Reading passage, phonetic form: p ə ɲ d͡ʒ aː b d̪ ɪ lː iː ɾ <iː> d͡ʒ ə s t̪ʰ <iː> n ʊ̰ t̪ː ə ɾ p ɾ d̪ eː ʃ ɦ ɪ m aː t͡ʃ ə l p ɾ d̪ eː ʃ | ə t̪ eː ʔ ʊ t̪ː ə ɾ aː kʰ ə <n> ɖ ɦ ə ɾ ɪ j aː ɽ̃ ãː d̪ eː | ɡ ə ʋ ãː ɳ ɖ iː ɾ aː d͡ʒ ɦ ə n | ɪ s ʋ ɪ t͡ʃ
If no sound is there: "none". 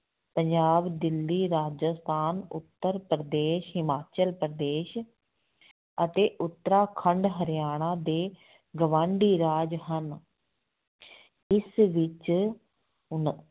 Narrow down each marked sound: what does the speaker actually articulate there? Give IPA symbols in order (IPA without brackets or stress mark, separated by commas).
aː, aː, ɳ